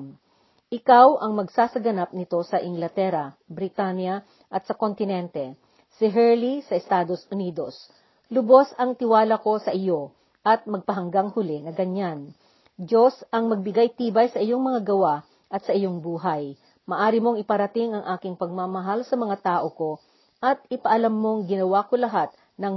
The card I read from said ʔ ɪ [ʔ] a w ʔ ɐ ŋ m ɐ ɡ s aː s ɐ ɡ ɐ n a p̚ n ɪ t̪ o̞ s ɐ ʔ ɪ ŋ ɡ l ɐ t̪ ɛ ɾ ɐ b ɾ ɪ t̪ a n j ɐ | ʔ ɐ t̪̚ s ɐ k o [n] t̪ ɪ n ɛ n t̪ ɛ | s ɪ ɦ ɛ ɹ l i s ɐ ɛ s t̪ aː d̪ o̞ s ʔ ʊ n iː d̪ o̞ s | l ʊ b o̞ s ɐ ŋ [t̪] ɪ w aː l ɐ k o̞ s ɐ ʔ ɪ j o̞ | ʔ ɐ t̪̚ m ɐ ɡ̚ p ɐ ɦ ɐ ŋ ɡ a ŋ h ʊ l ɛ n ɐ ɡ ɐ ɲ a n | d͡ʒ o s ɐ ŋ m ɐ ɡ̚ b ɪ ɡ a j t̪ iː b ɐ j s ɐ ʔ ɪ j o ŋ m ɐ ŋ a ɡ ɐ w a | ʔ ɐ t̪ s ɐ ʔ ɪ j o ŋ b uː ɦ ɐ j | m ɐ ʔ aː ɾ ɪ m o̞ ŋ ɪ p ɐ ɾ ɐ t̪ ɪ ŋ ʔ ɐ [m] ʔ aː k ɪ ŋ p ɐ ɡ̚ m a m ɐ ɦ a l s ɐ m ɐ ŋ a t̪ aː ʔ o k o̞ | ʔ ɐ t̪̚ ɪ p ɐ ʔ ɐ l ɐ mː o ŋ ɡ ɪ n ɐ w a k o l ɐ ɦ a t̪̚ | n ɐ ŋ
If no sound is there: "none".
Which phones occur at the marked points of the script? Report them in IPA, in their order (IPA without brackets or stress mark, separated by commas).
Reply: k, n, t̪, ŋ